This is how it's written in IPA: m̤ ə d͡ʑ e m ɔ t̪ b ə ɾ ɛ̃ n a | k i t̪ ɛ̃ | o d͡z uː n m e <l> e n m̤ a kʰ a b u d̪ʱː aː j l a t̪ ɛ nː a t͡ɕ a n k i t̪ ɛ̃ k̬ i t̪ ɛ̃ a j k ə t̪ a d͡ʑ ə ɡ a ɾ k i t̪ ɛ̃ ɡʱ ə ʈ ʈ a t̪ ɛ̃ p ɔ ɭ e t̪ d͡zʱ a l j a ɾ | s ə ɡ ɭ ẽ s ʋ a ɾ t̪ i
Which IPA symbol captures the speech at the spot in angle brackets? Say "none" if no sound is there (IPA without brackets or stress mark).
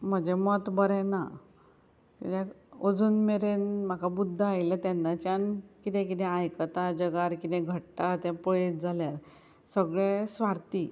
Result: ɾ